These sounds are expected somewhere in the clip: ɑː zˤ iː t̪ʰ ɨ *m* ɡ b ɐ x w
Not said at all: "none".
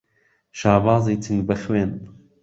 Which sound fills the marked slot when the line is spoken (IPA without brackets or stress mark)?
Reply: ŋ